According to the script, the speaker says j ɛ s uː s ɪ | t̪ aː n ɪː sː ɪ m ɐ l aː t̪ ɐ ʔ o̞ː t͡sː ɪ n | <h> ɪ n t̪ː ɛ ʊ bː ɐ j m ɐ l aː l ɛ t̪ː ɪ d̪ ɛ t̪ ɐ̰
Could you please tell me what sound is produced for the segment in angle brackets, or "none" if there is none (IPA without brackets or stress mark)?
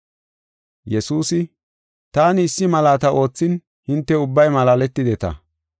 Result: h